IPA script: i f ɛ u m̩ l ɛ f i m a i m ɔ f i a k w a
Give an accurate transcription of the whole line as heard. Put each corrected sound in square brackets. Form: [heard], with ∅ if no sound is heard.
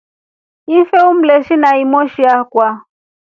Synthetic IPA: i f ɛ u m̩ l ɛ [ʃ] i [n] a i m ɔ [ʃ] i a k w a

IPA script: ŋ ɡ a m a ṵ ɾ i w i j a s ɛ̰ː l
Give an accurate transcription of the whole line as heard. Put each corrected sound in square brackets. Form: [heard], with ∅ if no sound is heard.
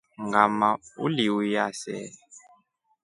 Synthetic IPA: ŋ ɡ a m a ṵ [l] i w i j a s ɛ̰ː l

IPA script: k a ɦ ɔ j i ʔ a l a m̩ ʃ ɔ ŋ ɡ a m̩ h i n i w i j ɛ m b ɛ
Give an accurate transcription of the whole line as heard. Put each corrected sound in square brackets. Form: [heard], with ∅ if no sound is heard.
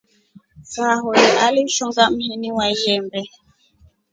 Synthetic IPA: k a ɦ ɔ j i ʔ a l [i] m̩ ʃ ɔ ŋ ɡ a m̩ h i n i w [a] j ɛ m b ɛ

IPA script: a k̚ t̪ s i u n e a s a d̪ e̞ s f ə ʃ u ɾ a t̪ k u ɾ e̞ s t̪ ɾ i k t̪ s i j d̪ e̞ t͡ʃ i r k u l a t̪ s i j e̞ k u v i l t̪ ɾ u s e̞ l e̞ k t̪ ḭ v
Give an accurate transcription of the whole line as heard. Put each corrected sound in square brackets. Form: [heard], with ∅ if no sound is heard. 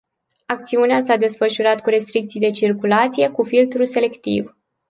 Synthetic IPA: a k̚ t̪ s i u n e a s a d̪ e̞ s f ə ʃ u ɾ a t̪ k u ɾ e̞ s t̪ ɾ i k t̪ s i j d̪ e̞ t͡ʃ i r k u l a t̪ s i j e̞ k u [f] i l t̪ ɾ u s e̞ l e̞ k t̪ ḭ v

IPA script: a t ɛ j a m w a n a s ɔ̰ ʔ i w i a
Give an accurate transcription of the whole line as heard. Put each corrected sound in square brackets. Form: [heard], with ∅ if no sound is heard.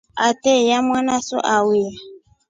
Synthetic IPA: a t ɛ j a m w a n a s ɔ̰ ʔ [a] w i a

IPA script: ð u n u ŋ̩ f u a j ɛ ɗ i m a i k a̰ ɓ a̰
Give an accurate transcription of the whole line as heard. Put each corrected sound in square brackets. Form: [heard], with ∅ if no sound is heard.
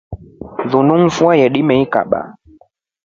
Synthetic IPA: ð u n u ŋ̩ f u a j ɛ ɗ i m [ɛ] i k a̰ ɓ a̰

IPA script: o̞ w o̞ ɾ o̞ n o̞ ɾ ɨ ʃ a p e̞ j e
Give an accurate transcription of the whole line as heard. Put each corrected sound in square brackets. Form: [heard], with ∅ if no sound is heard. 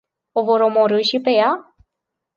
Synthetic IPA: o̞ [v] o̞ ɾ o̞ [m] o̞ ɾ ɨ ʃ [i] p e̞ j [a]

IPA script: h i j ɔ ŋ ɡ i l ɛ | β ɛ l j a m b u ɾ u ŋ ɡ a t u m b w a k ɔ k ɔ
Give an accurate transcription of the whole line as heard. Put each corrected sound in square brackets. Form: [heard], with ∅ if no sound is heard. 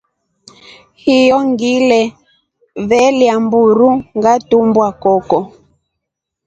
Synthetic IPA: h i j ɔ ŋ ɡ i l ɛ | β ɛ l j a m b u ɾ u ŋ ɡ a t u m b w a k ɔ k ɔ

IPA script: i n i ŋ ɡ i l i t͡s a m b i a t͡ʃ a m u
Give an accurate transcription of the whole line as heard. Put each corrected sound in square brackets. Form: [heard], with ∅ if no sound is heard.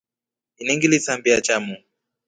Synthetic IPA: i n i ŋ ɡ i l i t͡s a m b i a t͡ʃ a m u

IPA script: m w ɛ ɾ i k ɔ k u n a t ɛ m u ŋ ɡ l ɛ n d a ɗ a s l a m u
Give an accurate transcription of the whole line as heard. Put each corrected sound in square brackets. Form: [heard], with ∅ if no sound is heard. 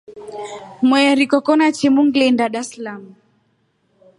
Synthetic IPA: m w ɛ ɾ i k ɔ k [ɔ] n a [t͡ʃ] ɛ m u ŋ ɡ l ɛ n d a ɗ a s l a m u

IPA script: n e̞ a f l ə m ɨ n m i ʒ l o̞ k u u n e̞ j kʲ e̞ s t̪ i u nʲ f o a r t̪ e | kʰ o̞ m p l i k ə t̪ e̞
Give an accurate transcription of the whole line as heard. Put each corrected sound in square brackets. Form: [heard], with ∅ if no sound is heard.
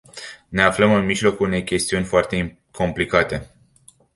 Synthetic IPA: n e̞ a f l ə m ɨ n m i ʒ l o̞ k u u n e̞ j kʲ e̞ s t̪ i u nʲ f o a r t̪ e | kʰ o̞ m p l i k [a] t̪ e̞

